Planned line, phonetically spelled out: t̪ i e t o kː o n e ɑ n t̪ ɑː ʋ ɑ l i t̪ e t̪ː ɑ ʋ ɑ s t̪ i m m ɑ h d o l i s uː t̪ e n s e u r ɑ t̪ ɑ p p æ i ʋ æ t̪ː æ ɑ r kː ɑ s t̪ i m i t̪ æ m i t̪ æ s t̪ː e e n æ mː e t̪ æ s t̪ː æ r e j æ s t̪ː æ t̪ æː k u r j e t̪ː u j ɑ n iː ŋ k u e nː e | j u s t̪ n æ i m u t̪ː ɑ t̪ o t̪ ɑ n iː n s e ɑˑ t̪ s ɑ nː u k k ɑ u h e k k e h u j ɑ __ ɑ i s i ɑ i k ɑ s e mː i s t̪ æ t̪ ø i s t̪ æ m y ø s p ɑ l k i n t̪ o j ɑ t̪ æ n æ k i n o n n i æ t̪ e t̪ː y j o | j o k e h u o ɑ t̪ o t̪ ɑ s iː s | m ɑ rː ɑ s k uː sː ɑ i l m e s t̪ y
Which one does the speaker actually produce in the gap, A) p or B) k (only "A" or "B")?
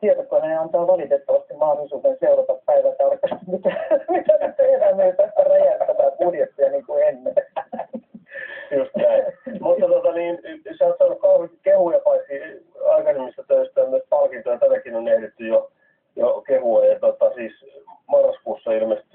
A